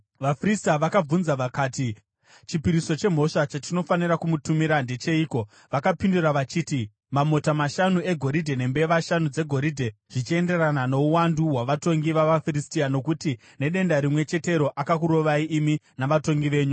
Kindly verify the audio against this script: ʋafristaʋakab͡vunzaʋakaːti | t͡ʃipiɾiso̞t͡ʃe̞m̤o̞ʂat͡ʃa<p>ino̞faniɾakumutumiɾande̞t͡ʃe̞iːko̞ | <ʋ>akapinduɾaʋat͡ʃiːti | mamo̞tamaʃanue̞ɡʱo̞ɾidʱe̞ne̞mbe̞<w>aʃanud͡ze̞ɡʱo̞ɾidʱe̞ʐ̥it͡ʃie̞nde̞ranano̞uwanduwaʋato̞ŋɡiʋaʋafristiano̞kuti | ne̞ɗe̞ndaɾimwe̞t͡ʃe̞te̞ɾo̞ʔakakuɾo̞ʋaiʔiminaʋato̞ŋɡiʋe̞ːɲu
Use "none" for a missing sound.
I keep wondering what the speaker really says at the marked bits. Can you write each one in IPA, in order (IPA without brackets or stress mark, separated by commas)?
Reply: t, ʋ, ʋ